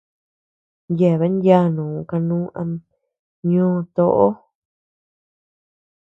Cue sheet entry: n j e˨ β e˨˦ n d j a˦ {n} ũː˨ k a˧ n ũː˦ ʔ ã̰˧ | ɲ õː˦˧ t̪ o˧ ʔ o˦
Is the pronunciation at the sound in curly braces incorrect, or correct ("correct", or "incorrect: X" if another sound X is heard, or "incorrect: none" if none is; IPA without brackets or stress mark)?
correct